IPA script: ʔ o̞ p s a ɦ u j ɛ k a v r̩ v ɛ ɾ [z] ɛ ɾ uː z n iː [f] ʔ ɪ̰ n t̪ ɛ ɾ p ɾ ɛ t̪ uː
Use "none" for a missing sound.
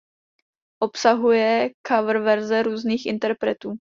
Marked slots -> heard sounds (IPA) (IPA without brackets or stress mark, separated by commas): z, x